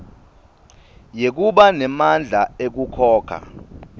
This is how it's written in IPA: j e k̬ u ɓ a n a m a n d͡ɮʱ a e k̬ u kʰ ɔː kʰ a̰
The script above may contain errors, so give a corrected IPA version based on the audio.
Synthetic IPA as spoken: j e k̬ u ɓ a n ɛ m a n d͡ɮʱ a e k̬ u kʰ ɔː kʰ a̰

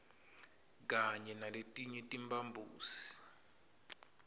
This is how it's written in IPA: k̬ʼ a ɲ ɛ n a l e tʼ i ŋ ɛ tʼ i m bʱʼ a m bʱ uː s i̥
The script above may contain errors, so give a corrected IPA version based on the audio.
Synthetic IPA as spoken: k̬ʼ a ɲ ɛ n a l e tʼ i ɲ ɛ tʼ i m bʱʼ a m bʱ uː s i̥

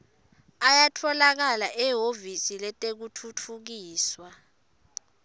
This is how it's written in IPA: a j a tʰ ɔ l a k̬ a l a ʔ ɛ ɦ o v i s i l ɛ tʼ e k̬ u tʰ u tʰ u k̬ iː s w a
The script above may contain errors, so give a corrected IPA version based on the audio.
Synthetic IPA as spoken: a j a tʰ ɔ l a k̬ a l a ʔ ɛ ɦ o v i s i l ɛ tʼ e k̬ u tʰ u tʰ u k̬ iː s w a

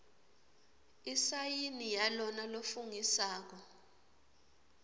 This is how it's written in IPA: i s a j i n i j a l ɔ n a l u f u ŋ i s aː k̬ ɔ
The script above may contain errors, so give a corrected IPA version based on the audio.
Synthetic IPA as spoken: i s a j i n i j a l ɔ n a l o f u ŋ i s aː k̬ ɔ

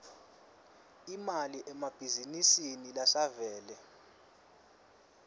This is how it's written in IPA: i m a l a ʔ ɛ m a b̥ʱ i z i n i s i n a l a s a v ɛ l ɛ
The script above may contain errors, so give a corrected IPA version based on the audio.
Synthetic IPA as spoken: i m a l i ʔ ɛ m a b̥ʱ i z i n i s i n i l a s a v ɛː l ɛ

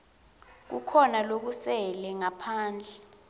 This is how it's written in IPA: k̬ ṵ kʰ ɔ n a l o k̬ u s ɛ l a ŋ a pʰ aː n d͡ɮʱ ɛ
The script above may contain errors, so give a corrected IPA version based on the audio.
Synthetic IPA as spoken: k̬ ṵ kʰ ɔ n a l o k̬ u s ɛ l ɛ ŋ a pʰ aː n d͡ɮʱ ɛ

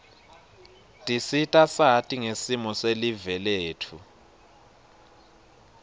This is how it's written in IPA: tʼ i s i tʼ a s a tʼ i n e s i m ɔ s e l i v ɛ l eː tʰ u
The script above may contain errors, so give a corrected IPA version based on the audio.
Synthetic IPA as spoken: tʼ i s i tʼ a s a tʼ i ŋ e s i m ɔ s e l i v ɛ l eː tʰ u

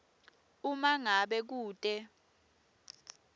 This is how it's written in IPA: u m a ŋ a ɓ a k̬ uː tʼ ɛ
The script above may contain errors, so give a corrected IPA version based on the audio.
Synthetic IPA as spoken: u m a ŋ a ɓ ɛ k̬ uː tʼ ɛ

